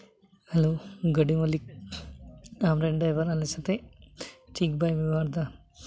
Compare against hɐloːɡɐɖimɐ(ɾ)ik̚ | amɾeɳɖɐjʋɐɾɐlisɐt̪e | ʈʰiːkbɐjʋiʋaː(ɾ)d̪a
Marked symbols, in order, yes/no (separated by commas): no, yes